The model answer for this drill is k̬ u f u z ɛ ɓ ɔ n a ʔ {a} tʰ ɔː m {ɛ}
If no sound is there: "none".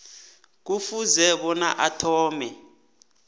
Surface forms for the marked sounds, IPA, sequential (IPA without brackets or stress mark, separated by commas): a, ɛ